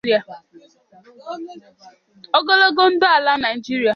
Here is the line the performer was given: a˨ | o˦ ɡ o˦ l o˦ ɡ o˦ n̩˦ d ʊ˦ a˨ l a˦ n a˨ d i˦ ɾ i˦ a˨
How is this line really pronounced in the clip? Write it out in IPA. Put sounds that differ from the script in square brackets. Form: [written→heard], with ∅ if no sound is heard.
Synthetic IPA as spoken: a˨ | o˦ ɡ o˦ l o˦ ɡ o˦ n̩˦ d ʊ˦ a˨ l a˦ n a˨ [d→d͡ʒ] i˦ ɾ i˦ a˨